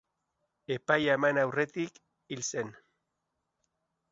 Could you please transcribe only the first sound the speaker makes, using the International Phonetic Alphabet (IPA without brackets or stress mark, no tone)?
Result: e̞